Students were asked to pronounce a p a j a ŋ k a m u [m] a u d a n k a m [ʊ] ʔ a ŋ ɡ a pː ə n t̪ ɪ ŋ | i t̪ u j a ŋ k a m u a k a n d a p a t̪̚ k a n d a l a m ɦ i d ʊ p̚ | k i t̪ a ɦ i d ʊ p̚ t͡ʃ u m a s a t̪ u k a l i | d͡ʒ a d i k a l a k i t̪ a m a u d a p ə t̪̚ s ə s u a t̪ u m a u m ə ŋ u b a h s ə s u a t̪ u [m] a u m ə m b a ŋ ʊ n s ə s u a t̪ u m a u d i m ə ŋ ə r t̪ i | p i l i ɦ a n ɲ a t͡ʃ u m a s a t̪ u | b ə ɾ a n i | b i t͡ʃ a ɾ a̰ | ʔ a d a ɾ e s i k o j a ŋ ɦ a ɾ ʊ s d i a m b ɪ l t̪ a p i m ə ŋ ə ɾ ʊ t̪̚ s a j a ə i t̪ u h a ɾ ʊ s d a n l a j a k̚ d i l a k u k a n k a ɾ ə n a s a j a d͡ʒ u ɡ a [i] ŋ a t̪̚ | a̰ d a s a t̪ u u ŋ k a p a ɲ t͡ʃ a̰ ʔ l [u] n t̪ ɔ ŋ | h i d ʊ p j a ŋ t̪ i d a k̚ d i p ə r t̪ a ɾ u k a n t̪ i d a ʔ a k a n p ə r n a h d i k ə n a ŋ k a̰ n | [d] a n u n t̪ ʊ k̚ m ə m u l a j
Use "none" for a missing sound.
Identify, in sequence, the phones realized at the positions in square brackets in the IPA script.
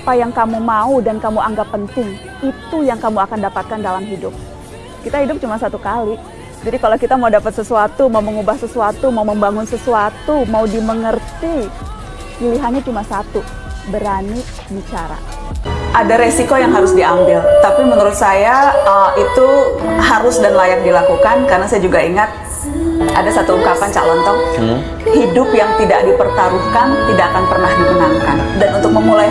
m, u, m, i, ɔ, d

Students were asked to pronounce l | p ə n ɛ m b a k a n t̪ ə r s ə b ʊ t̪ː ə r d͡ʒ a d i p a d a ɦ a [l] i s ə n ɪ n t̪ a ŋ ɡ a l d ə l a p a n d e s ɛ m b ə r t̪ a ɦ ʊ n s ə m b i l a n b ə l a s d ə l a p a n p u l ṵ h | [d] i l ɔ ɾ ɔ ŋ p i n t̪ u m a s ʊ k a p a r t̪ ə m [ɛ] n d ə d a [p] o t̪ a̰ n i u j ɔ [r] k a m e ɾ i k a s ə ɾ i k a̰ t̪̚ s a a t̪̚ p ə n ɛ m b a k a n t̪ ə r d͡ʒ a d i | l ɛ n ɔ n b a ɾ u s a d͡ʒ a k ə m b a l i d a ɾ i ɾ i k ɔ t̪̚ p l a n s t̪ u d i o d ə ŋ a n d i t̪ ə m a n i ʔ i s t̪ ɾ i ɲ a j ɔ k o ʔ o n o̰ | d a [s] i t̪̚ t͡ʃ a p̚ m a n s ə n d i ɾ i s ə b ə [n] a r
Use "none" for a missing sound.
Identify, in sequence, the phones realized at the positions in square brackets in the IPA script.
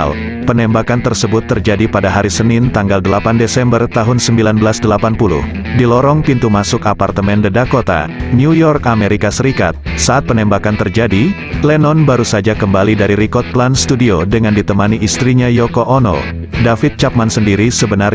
ɾ, d, ɛ, k, r, f, n

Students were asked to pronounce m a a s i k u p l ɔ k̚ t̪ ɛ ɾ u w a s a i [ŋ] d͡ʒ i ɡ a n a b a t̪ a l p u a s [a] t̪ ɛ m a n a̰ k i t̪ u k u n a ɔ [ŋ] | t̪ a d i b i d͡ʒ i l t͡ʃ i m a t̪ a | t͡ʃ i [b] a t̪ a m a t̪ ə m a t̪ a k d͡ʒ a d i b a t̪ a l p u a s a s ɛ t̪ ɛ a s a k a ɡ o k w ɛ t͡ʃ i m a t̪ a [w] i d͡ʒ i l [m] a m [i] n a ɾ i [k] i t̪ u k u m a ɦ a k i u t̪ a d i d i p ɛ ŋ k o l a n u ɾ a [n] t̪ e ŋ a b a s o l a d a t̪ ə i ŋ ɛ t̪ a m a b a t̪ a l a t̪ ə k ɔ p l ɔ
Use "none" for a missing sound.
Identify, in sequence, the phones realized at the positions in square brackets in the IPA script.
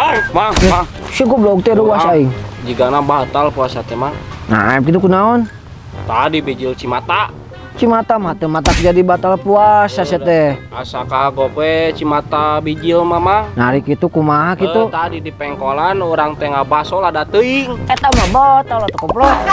ŋ, a, n, m, b, m, a, k, ŋ

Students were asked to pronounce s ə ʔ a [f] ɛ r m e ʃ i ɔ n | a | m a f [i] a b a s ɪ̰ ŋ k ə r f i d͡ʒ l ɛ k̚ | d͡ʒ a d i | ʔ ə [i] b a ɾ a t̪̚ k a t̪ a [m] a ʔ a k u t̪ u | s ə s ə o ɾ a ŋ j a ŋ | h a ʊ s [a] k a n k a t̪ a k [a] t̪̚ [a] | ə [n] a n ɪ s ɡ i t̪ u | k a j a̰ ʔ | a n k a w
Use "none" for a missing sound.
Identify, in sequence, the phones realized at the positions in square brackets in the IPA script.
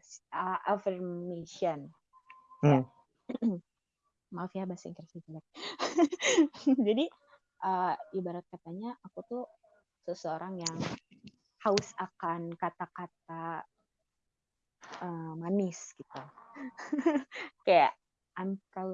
f, i, i, ɲ, a, a, a, m

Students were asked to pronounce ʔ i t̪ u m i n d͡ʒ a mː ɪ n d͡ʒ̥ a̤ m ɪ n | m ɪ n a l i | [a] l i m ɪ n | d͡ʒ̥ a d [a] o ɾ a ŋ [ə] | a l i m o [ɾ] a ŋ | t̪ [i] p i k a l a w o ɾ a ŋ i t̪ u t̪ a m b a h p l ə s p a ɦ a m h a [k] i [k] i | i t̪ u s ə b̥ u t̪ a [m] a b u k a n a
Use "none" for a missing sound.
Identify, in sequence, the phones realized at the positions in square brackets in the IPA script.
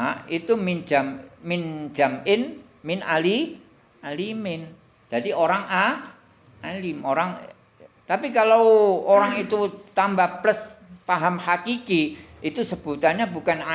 a, i, a, ɾ, a, k, k, ɲ

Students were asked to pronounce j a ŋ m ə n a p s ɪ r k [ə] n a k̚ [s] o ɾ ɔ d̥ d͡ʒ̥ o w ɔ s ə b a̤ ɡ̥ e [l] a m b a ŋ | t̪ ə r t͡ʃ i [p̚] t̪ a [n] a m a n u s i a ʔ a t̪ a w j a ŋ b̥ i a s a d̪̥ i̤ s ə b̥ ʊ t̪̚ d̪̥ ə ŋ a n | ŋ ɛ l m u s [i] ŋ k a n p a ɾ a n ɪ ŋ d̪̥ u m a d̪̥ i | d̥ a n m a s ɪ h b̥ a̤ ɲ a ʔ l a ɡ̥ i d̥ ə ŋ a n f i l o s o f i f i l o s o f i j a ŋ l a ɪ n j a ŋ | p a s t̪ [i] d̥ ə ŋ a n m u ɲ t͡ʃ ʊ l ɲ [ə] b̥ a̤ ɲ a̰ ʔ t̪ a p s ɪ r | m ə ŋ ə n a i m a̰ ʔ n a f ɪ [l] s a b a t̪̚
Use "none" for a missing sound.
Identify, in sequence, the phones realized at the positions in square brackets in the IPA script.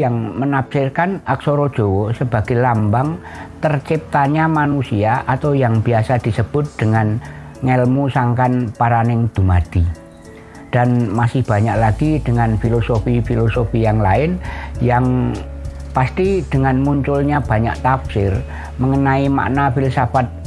a, s, l, p̚, ɲ, a, i, a, l

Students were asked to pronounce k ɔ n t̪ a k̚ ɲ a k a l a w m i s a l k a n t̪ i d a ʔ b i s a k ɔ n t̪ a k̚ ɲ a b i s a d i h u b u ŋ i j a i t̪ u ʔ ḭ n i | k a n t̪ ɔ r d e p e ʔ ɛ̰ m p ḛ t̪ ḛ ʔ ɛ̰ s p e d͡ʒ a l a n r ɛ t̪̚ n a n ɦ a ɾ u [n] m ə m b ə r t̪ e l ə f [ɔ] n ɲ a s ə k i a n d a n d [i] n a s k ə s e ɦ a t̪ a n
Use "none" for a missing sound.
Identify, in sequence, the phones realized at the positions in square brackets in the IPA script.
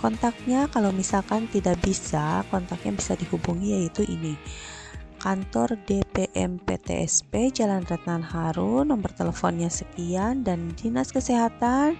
n, ɔ, i

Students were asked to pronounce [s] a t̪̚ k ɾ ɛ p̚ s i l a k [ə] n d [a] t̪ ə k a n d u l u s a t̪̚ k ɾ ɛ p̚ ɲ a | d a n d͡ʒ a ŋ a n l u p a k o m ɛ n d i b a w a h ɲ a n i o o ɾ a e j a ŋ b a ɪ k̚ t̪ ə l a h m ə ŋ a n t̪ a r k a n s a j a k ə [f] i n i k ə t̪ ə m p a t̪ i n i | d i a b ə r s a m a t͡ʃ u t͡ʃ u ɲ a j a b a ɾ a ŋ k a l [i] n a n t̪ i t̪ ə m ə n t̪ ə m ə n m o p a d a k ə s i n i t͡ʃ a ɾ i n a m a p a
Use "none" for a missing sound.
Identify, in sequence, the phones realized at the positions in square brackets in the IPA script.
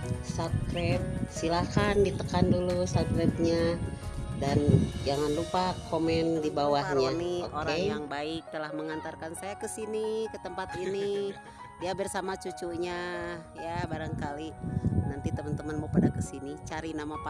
s, a, i, s, i

